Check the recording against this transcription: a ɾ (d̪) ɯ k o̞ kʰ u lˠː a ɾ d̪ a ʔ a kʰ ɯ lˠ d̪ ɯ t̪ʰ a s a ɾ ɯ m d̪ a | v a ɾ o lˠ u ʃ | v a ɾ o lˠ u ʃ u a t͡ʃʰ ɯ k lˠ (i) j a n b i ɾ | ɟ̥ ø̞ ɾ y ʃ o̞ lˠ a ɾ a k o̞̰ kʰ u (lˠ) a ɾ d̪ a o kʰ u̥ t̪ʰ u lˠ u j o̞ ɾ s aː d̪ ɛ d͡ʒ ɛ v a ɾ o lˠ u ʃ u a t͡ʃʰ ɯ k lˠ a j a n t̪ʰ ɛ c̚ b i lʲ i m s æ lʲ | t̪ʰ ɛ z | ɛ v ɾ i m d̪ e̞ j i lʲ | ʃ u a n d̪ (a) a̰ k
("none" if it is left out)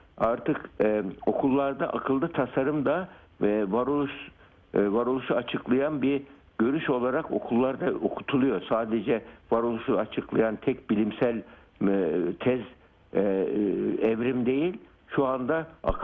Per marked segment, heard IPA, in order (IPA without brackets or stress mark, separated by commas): t̪, a, lˠː, a